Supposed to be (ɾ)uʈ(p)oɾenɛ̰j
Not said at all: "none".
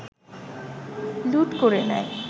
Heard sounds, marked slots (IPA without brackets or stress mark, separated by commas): l, k